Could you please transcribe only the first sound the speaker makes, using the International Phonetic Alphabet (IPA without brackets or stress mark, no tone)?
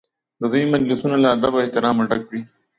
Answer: d̪